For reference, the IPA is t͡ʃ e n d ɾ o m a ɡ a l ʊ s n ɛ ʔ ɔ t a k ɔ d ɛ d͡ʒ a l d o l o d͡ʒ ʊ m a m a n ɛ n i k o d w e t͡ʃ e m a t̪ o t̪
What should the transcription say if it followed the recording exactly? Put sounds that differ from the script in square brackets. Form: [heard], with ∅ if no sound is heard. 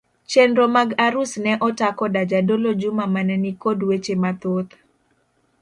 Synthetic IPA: t͡ʃ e n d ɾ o m a ɡ a [ɾ] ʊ s n ɛ ʔ ɔ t a k ɔ d [a] d͡ʒ a [∅] d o l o d͡ʒ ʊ m a m a n ɛ n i k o d w e t͡ʃ e m a t̪ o t̪